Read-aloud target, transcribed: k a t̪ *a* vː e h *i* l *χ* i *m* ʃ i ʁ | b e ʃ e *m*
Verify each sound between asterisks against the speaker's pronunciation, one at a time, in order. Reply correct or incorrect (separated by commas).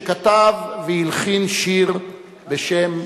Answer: correct, correct, correct, incorrect, correct